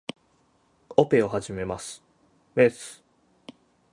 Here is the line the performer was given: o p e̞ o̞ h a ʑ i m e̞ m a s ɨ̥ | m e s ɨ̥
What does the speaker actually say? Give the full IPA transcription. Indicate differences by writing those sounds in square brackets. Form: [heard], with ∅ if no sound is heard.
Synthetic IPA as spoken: o p e̞ o̞ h a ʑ i m e̞ m a s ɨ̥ | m e s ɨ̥